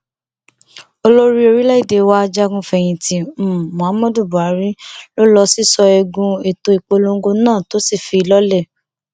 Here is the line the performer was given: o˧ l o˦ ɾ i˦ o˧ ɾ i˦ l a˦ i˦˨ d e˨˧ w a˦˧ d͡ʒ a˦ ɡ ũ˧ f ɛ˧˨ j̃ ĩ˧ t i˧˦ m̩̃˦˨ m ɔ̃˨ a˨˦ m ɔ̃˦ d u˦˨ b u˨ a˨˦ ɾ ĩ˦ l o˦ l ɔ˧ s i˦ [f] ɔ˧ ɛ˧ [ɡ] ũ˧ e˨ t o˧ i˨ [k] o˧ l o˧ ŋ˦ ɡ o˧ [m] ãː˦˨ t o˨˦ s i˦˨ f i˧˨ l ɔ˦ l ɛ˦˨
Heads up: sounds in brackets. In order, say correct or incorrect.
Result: incorrect: s, correct, incorrect: k͡p, incorrect: n

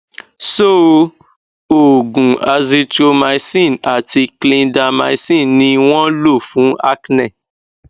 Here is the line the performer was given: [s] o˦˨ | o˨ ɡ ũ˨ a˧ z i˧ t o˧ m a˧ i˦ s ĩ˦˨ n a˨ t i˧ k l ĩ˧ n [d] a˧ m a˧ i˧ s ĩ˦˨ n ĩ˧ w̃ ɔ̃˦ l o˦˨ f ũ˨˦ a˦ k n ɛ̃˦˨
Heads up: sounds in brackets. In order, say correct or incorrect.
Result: correct, correct

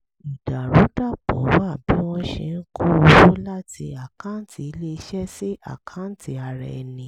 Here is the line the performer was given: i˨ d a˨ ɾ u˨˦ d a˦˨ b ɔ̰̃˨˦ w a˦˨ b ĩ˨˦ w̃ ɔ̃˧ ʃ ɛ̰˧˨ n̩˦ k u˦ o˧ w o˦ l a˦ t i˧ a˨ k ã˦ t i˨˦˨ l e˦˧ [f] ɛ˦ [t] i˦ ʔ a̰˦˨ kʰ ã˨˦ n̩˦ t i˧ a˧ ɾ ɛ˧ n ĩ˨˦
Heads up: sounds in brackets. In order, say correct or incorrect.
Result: incorrect: ʃ, incorrect: s

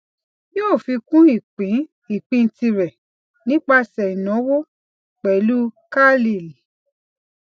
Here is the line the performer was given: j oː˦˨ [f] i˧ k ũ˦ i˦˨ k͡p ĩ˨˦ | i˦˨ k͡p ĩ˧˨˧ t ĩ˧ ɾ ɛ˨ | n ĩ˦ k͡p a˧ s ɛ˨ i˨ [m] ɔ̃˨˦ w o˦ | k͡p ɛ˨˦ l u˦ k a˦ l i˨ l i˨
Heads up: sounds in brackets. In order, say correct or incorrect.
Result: correct, incorrect: n

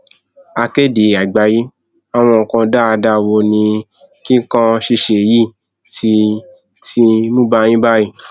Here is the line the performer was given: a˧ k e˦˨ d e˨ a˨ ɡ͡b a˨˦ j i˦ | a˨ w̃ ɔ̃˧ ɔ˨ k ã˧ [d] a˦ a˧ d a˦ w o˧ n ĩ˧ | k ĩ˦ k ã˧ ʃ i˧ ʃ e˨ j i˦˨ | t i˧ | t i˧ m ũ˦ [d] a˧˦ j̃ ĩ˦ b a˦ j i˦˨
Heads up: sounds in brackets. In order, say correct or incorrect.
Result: correct, incorrect: b

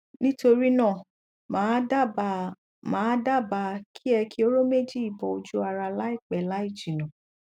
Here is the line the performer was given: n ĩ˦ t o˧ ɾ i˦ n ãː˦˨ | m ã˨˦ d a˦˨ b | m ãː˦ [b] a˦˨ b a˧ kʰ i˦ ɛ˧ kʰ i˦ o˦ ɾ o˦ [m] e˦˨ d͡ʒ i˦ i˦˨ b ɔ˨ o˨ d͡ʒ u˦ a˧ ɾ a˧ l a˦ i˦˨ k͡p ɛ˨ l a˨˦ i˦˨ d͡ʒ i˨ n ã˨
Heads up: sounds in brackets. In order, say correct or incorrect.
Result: incorrect: d, correct

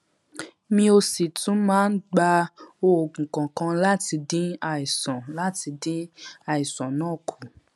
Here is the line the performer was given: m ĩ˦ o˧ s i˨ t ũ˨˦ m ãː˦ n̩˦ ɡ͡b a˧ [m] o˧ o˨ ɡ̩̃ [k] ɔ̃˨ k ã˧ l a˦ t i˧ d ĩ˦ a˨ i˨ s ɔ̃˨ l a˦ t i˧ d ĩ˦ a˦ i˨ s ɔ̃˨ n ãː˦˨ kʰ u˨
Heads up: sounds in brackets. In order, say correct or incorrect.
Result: incorrect: none, correct

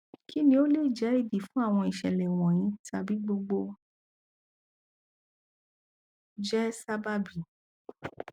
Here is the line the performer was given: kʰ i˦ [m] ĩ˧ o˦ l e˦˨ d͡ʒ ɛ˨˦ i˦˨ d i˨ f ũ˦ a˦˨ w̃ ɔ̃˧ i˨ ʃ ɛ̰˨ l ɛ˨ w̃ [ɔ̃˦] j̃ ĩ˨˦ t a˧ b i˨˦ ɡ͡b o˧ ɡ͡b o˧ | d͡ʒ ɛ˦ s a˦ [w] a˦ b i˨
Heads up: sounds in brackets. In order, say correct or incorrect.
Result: incorrect: n, incorrect: ɔ̃˨, incorrect: b

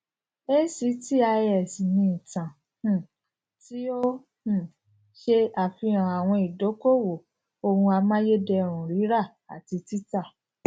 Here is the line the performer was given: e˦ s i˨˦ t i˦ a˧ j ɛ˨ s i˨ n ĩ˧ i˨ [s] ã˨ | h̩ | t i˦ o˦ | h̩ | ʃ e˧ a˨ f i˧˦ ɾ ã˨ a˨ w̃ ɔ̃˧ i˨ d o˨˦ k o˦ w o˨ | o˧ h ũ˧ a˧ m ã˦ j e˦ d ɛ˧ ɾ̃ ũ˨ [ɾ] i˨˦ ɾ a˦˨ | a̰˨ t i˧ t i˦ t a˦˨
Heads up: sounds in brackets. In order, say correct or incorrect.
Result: incorrect: t, correct

